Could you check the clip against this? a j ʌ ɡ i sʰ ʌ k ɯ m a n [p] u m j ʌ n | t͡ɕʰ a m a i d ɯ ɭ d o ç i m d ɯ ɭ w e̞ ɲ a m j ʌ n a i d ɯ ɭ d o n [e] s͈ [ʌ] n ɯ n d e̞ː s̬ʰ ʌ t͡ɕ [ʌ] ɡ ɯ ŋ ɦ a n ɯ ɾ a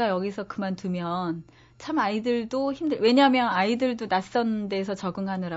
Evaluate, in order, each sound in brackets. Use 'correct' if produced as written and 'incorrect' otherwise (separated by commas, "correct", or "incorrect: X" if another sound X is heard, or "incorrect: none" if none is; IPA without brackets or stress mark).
incorrect: t, incorrect: a, correct, correct